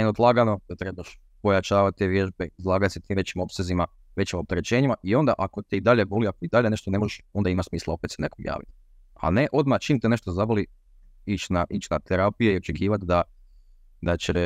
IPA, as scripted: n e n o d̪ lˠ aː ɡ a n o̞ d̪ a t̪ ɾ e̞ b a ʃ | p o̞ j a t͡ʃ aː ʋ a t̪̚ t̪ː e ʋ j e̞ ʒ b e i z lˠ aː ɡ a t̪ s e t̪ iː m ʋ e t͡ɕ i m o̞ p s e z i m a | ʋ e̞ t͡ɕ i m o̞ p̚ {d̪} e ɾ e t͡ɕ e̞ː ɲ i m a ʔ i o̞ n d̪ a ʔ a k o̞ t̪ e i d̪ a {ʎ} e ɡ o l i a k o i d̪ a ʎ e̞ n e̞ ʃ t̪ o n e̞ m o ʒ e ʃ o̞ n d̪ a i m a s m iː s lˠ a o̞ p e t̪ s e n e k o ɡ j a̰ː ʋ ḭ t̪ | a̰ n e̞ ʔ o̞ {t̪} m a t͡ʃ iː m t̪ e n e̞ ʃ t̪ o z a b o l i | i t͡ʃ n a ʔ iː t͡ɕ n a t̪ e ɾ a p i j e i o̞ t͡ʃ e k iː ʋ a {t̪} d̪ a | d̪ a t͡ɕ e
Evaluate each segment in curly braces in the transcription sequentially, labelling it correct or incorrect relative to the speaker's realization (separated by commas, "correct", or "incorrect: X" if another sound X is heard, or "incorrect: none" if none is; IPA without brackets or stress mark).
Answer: incorrect: t̪, correct, incorrect: d̪, correct